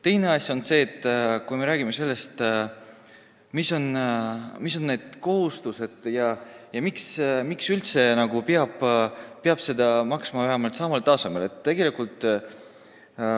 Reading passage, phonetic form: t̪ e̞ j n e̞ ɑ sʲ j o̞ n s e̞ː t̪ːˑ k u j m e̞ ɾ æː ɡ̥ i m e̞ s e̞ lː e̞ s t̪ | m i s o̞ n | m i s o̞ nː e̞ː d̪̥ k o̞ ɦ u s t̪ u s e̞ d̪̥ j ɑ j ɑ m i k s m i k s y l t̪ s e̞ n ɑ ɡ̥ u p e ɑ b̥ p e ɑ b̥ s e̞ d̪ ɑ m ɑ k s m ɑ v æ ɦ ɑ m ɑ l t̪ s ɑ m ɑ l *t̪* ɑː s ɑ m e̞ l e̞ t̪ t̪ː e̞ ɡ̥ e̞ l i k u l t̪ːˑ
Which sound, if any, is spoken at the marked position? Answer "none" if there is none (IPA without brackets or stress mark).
t̪